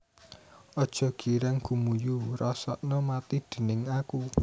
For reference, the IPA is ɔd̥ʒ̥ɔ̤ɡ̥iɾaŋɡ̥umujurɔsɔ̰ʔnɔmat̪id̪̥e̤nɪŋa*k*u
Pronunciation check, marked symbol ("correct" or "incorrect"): correct